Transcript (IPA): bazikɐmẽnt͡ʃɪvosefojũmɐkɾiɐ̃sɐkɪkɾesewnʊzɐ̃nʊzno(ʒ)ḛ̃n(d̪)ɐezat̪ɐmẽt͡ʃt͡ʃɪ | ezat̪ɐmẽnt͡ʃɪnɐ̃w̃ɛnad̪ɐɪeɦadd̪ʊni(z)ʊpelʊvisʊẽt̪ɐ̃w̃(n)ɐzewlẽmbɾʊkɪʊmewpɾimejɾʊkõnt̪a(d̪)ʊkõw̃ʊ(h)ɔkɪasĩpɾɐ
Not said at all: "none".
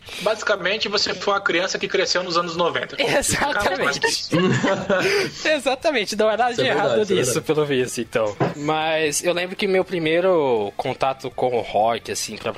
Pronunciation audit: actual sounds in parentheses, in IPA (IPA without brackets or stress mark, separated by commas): v, t̪, s, m, t̪, h